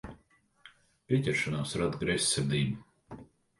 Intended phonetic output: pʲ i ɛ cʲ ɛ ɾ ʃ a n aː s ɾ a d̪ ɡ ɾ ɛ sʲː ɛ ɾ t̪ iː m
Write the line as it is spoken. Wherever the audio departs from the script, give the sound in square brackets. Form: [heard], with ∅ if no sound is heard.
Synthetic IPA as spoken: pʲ i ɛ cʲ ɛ ɾ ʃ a n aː s ɾ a d̪ ɡ ɾ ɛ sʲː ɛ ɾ [d̪] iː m